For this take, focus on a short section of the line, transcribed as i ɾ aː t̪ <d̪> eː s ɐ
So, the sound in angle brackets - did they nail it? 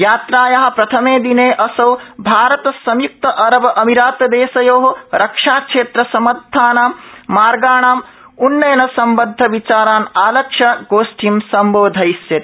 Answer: yes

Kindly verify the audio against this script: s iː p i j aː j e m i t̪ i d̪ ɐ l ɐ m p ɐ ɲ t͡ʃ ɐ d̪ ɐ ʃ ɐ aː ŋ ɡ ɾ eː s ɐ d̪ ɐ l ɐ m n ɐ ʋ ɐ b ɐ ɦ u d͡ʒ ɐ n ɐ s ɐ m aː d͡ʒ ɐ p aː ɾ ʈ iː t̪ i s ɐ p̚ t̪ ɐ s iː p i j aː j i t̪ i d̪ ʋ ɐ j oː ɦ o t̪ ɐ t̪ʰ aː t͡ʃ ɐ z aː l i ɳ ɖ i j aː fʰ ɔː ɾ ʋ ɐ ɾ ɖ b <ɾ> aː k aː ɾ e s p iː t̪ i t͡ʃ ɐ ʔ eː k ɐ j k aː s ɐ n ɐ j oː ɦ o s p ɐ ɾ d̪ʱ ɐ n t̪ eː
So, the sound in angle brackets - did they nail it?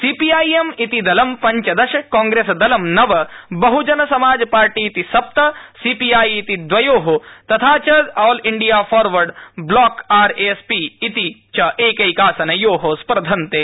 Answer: no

